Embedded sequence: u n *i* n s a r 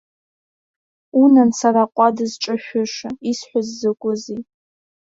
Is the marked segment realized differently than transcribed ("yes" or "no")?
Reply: yes